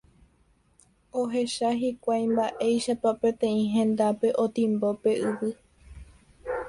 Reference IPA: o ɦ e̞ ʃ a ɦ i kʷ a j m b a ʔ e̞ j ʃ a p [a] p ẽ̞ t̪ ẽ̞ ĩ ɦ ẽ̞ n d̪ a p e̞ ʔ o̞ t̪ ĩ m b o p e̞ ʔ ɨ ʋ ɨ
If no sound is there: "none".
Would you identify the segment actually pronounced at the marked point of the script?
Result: a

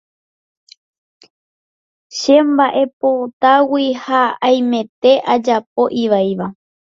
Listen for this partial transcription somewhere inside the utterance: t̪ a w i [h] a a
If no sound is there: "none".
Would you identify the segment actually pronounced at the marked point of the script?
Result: h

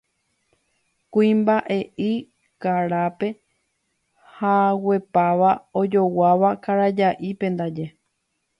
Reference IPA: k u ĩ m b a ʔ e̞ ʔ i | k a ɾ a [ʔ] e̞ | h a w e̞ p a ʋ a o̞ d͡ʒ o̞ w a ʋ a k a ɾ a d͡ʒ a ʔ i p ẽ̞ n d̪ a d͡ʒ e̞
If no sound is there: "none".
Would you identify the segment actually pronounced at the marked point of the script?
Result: p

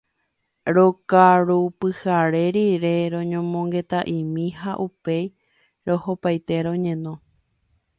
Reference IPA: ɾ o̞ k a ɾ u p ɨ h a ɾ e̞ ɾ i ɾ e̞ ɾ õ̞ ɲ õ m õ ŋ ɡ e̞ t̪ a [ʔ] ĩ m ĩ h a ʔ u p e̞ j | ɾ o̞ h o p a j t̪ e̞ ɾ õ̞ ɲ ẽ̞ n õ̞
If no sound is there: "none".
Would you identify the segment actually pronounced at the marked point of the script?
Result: ʔ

